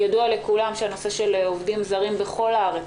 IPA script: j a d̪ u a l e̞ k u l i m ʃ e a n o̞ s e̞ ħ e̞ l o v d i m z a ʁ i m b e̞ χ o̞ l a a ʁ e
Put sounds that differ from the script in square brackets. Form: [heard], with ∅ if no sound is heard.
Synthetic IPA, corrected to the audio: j a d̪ u a l e̞ k u l [a] m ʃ e a n o̞ s e̞ [ʃ] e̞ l o v d i m z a ʁ i m b e̞ χ o̞ l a a ʁ e